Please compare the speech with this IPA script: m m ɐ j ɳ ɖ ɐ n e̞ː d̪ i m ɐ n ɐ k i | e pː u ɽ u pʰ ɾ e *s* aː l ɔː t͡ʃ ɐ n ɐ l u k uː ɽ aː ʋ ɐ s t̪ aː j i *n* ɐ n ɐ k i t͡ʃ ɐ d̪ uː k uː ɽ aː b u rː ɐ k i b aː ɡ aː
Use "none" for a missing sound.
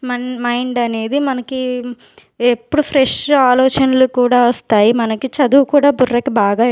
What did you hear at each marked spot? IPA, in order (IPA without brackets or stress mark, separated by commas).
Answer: ʂ, m